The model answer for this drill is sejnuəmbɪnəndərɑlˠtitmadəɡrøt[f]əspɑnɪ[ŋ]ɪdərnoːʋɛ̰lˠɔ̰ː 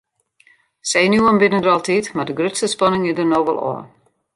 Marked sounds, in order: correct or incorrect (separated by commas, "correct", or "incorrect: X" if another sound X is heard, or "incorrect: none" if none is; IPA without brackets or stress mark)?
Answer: incorrect: s, correct